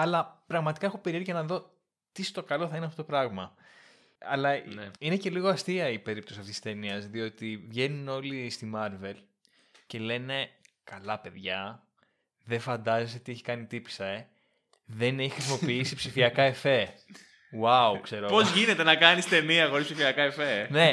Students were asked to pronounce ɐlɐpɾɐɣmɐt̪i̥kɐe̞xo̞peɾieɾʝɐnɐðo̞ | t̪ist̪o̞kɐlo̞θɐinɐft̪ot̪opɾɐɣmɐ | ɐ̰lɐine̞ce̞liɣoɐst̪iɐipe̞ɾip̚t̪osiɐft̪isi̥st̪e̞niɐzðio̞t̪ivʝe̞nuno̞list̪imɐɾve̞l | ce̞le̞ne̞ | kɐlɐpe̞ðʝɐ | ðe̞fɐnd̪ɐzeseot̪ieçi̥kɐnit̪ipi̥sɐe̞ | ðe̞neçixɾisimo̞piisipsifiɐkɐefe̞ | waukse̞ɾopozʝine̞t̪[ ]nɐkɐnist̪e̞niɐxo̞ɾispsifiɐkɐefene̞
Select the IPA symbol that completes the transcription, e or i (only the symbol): e